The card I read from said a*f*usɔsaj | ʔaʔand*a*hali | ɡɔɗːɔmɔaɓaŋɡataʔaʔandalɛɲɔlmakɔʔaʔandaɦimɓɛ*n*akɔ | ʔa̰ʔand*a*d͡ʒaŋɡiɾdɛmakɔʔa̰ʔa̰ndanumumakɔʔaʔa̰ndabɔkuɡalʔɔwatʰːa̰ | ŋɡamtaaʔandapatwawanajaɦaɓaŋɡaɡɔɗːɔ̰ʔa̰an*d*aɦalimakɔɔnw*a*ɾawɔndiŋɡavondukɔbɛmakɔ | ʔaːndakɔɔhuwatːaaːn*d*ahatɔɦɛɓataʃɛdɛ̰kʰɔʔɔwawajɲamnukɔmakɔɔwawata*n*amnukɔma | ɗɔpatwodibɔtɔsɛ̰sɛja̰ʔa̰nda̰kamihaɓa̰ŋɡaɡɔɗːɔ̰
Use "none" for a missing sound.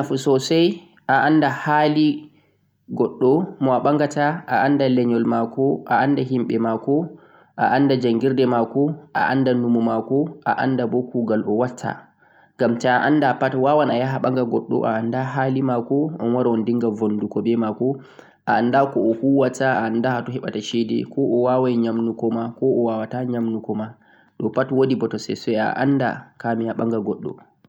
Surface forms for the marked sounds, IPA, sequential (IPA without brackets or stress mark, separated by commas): f, a, m, a, d, a, d, ɲ